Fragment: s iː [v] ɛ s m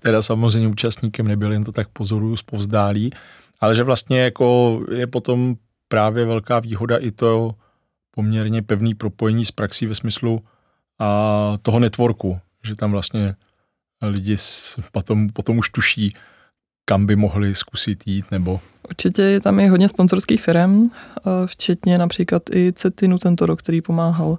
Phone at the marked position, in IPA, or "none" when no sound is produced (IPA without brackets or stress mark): v